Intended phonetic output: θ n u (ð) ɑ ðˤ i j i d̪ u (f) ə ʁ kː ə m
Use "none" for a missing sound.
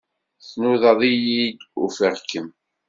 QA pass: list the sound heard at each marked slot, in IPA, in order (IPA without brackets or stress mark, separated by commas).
ð, f